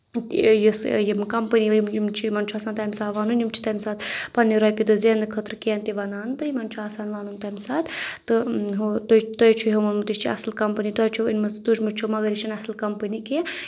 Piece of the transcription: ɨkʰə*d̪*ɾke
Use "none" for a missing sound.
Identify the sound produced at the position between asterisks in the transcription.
t̪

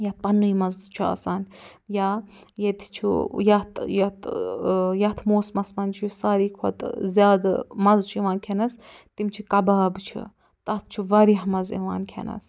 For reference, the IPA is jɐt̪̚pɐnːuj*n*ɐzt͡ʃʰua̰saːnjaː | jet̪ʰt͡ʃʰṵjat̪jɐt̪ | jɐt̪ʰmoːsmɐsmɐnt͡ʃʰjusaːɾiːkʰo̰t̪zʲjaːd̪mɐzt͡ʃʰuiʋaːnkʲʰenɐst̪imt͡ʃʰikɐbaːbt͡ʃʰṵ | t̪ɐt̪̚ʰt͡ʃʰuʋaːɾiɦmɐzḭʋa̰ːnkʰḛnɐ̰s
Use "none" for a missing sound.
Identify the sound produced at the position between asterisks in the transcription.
m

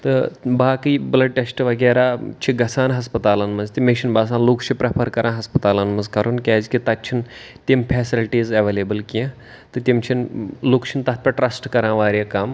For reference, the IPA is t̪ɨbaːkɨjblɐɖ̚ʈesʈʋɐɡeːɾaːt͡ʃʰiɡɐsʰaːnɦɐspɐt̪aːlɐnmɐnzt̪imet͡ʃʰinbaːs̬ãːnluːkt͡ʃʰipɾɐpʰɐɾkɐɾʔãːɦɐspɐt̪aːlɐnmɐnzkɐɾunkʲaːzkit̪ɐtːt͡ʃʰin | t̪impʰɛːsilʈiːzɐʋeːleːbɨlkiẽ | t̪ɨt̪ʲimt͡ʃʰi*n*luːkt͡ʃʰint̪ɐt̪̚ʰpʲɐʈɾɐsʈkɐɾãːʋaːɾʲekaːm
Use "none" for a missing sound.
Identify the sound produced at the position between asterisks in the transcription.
n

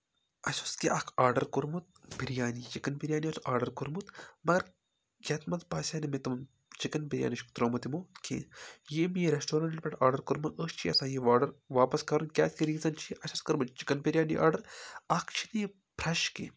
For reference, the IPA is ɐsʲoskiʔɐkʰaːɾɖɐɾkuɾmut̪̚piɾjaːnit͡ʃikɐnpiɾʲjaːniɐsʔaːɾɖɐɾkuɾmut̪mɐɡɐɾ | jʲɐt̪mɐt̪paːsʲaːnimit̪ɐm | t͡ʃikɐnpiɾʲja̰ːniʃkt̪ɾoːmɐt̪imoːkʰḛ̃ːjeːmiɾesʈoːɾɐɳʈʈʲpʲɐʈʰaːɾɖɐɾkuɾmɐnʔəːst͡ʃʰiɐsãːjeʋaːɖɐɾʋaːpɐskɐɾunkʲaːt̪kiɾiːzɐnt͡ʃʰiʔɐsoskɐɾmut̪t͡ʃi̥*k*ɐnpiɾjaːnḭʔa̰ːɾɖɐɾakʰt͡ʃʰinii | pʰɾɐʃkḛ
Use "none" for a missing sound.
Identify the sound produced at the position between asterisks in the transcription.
k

